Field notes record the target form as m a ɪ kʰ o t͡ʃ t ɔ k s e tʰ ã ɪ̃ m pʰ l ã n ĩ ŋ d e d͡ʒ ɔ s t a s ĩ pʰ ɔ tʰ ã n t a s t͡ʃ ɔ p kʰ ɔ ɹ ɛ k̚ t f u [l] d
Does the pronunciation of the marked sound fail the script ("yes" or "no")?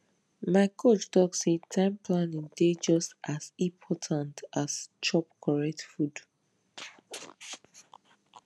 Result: yes